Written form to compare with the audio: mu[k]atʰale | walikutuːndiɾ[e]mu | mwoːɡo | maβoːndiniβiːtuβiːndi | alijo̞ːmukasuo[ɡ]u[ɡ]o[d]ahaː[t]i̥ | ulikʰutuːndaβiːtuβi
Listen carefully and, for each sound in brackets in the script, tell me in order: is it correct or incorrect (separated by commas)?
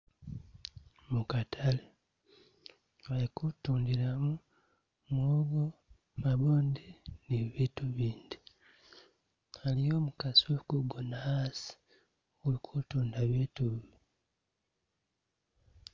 correct, incorrect, incorrect, correct, incorrect, incorrect